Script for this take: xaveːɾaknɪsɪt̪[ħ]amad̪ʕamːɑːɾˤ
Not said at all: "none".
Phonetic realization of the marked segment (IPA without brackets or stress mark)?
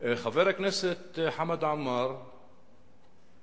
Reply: ħ